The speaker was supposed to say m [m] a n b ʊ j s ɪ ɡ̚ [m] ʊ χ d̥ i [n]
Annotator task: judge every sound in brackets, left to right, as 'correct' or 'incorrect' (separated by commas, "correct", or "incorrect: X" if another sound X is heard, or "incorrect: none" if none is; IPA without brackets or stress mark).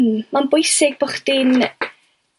correct, incorrect: b, correct